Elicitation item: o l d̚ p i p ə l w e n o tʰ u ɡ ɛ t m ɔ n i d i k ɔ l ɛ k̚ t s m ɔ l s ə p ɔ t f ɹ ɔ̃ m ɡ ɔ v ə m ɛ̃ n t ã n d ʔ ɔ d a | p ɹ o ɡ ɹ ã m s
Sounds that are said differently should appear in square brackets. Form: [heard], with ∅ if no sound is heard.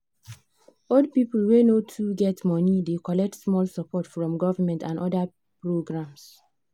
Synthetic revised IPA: o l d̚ p i p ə l w e n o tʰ u ɡ ɛ t m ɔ n i d [e] k ɔ l ɛ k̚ t s m ɔ l s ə p ɔ t f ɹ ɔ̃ m ɡ ɔ v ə m ɛ̃ n t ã n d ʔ ɔ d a | p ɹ o ɡ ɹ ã m s